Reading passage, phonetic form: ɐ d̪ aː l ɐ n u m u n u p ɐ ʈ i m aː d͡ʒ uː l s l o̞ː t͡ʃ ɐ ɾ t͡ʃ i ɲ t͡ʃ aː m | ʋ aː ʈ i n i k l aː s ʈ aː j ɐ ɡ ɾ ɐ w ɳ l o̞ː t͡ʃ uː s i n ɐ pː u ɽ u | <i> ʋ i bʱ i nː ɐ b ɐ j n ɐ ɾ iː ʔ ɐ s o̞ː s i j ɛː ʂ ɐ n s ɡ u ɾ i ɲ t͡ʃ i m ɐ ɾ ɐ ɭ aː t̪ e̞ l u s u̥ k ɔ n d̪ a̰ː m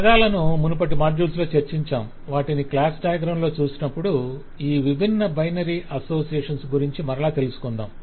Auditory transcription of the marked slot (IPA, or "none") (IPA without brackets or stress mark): iː